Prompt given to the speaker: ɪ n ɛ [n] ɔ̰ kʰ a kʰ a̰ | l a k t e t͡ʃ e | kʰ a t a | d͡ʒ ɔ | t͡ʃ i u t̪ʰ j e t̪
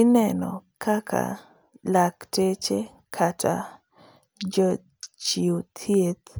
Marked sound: correct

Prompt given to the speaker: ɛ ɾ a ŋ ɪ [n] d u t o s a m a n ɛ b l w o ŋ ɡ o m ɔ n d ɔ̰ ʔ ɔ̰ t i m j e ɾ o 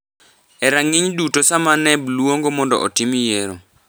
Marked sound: incorrect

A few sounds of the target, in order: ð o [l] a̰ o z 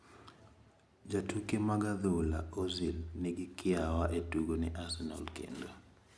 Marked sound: correct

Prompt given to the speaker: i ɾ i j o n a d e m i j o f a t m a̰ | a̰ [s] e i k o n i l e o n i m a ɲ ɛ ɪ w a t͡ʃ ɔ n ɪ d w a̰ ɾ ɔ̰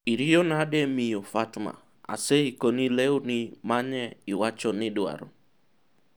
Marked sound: correct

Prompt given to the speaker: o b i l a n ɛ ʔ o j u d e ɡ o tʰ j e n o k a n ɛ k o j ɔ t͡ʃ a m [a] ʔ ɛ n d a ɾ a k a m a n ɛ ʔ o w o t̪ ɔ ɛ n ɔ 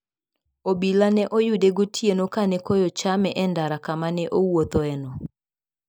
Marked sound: incorrect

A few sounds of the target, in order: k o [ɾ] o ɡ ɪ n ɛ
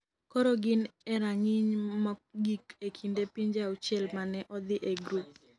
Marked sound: correct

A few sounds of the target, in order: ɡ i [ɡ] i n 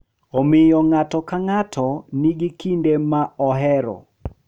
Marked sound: incorrect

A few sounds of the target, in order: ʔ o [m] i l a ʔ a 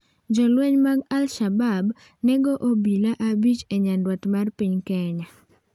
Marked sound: incorrect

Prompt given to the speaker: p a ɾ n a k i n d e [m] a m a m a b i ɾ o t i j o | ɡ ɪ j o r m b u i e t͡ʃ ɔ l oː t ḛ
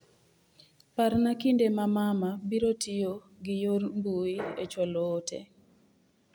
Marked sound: correct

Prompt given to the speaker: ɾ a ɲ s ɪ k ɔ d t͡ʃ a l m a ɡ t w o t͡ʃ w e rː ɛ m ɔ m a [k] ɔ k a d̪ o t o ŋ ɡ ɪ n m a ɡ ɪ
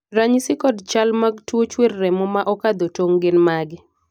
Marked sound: incorrect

